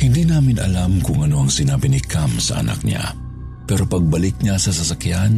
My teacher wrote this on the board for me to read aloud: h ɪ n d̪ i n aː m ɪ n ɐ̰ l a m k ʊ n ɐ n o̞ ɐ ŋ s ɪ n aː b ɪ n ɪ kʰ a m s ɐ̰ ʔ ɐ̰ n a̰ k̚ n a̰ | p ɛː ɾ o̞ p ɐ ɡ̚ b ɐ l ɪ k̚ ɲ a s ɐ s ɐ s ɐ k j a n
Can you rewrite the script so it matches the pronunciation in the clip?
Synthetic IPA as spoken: h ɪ n d̪ i n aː m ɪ n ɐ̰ l a m k ʊ ŋ ɐ n o̞ ɐ ŋ s ɪ n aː b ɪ n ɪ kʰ a m s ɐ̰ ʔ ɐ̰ n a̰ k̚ ɲ a̰ | p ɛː ɾ o̞ p ɐ ɡ̚ b ɐ l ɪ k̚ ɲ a s ɐ s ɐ s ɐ k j a n